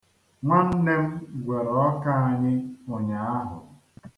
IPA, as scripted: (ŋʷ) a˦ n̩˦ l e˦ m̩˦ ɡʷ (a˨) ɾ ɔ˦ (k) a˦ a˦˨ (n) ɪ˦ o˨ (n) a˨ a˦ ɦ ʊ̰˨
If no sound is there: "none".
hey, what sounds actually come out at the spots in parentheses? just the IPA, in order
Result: ŋʷ, e˨, k, ɲ, ɲ

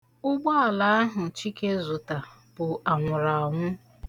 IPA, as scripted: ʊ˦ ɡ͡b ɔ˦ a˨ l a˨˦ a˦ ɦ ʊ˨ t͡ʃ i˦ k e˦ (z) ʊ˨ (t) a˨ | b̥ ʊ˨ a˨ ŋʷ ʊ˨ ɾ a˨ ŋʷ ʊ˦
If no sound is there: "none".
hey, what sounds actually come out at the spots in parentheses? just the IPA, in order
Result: z, t

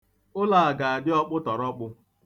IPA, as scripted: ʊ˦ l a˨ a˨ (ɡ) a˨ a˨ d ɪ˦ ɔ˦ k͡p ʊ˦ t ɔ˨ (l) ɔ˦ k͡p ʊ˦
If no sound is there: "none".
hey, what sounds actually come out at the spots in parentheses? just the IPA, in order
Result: ɡ, ɾ

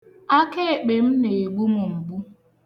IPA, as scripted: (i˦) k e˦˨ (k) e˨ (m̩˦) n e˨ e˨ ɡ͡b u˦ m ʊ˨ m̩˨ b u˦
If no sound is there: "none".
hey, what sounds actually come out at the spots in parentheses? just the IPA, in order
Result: a˦, k͡p, m̩˦

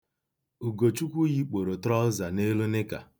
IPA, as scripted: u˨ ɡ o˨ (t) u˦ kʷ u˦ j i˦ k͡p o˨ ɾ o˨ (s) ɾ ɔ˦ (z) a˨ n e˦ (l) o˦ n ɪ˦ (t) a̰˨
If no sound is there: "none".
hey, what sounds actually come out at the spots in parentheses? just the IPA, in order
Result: t͡ʃ, t, z, l, k

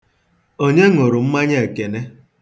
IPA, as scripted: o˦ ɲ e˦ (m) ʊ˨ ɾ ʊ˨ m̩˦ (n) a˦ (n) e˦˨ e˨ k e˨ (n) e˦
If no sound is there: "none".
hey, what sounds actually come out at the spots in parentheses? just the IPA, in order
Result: ŋ, m, ɲ, n

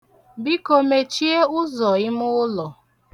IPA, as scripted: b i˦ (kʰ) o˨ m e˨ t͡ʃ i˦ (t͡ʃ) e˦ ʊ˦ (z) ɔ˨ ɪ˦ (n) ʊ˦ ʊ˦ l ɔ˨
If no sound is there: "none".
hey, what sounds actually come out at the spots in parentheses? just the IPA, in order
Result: k, none, z, m

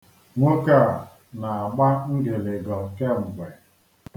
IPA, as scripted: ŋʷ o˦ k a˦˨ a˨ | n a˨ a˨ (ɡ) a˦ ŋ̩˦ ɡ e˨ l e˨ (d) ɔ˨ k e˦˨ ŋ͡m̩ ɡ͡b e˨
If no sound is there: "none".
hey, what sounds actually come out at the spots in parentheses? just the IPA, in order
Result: ɡ͡b, ɡ

